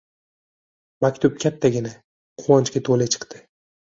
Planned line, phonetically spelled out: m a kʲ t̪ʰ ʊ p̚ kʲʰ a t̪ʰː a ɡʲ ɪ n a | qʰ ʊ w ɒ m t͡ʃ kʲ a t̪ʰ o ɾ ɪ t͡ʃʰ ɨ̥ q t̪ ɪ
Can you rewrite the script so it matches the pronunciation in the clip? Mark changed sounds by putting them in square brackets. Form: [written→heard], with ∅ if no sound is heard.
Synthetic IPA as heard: m a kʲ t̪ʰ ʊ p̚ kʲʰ a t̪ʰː a ɡʲ ɪ n a | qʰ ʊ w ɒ [m→n] t͡ʃ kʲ a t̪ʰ o [ɾ→l] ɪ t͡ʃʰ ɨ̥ q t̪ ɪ